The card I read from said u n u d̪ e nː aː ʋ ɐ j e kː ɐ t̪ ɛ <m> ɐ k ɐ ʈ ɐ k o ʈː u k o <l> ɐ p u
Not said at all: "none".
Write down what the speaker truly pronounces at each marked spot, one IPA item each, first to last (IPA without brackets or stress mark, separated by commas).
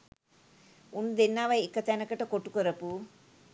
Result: n, ɾ